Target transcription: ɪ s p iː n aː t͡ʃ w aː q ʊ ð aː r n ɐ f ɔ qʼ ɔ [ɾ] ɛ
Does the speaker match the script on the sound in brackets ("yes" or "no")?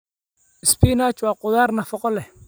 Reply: no